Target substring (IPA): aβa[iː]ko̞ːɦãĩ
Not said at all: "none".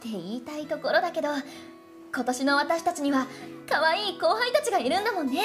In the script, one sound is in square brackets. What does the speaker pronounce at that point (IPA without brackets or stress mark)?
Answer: iː